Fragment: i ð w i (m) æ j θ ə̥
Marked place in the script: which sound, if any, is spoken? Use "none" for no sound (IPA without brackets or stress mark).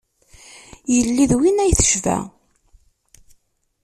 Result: n